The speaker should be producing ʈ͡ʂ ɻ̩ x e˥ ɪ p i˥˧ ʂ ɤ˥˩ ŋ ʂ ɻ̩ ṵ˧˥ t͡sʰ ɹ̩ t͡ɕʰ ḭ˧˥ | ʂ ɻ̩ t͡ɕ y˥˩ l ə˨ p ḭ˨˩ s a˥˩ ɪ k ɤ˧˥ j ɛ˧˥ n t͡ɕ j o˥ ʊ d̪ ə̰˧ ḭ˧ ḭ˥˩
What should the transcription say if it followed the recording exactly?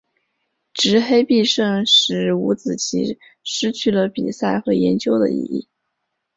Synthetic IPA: ʈ͡ʂ ɻ̩ x e˥ ɪ p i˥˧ ʂ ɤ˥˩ ŋ ʂ ɻ̩ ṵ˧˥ t͡s ɹ̩ t͡ɕʰ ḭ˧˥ | ʂ ɻ̩ t͡ɕʰ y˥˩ l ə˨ p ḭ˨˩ s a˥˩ ɪ x ɤ˧˥ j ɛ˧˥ n t͡ɕ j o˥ ʊ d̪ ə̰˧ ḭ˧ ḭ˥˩

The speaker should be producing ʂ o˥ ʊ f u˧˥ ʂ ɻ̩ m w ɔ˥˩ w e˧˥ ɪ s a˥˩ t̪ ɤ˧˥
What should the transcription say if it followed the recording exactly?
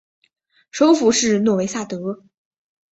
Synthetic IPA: ʂ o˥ ʊ f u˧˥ ʂ ɻ̩ n w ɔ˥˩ w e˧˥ ɪ s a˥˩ t̪ ɤ˧˥

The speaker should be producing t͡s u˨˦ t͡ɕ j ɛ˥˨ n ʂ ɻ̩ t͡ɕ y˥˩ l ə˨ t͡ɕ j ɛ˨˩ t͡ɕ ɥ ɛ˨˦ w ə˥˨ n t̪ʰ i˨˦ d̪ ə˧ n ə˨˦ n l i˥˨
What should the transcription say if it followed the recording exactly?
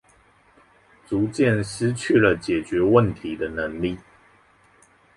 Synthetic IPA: t͡s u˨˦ t͡ɕ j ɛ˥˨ n ʂ ɻ̩ t͡ɕʰ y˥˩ l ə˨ t͡ɕ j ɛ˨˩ t͡ɕ ɥ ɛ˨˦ w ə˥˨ n t̪ʰ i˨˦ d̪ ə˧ n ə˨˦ ŋ l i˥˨

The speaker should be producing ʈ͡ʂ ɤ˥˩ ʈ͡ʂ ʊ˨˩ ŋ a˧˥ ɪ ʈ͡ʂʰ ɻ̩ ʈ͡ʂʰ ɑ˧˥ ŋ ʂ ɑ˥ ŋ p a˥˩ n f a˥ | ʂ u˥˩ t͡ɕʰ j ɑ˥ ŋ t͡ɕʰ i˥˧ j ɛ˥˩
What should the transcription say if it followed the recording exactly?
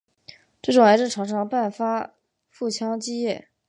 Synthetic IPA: ʈ͡ʂ ɤ˥˩ ʈ͡ʂ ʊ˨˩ ŋ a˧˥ ɪ ʈ͡ʂ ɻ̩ ʈ͡ʂʰ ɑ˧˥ ŋ ʂ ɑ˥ ŋ p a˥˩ n f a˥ | f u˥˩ t͡ɕʰ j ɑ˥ ŋ t͡ɕ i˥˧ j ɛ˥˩

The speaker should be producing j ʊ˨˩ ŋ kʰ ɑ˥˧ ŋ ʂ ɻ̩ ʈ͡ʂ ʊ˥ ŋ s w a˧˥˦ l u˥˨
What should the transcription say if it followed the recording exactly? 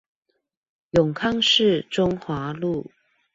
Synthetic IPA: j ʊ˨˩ ŋ kʰ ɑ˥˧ ŋ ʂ ɻ̩ ʈ͡ʂ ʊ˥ ŋ x w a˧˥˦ l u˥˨

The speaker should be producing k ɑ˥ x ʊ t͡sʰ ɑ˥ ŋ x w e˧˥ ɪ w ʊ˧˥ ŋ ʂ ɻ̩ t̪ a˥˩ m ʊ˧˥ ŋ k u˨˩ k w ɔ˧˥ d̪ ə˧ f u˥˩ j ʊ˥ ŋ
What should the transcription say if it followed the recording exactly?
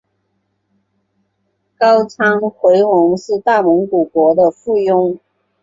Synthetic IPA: k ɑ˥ ʊ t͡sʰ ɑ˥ ŋ x w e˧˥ ɪ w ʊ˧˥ ŋ ʂ ɻ̩ t̪ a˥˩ m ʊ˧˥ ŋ k u˨˩ k w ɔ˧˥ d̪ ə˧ f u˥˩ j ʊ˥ ŋ

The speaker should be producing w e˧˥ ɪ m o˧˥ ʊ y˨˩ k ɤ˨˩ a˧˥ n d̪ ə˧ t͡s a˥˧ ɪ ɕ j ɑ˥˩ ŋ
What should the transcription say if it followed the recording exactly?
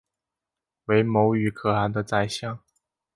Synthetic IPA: w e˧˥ ɪ m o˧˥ ʊ y˨˩ kʰ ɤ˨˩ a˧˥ n d̪ ə˧ t͡s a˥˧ ɪ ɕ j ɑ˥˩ ŋ

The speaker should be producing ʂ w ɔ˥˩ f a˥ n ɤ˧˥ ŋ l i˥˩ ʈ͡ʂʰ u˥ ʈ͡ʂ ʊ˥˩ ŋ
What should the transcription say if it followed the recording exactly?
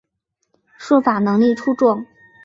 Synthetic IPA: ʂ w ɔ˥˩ f a˨˩ n ɤ˧˥ ŋ l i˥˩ ʈ͡ʂʰ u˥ ʈ͡ʂ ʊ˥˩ ŋ

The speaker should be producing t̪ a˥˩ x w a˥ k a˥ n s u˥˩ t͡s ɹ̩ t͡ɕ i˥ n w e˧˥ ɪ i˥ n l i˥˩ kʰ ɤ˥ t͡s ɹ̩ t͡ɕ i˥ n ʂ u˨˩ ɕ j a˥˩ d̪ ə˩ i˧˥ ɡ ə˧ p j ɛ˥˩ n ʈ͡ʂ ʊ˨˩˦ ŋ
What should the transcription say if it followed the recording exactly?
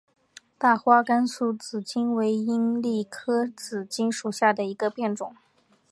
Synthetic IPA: t̪ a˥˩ x w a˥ k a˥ n s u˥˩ t͡s ɹ̩ t͡ɕ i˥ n w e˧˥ ɪ i˥ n l i˥˩ kʰ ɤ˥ t͡s ɹ̩ t͡ɕ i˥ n ʂ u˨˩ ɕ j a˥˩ d̪ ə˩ i˧˥ ɡ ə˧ p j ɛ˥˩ n ʈ͡ʂ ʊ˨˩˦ ŋ

